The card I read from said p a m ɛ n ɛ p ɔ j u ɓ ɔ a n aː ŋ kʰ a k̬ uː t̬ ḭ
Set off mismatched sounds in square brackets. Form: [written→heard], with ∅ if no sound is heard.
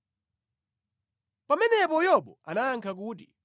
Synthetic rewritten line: p a m ɛ n ɛ p ɔ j [u→ɔ] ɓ ɔ a n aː ŋ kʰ a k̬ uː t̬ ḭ